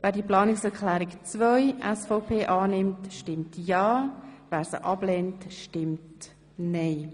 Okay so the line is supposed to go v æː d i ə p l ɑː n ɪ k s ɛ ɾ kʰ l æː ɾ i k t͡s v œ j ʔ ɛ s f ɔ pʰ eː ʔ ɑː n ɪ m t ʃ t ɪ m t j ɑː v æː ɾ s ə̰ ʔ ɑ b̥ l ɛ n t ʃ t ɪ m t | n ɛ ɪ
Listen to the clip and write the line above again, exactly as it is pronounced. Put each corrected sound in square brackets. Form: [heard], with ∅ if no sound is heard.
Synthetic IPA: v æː d i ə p l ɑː n ɪ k s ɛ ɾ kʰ l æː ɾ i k t͡s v œ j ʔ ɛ s f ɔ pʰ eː ʔ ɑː n ɪ m t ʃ t ɪ m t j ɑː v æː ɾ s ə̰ ʔ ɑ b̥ l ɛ n t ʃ t ɪ m t | n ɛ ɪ